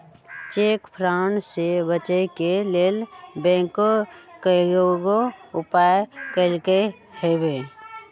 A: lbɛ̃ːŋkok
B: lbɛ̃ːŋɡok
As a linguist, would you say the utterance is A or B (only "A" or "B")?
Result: A